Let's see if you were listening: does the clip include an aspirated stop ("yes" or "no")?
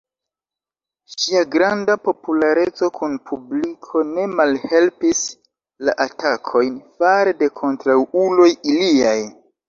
yes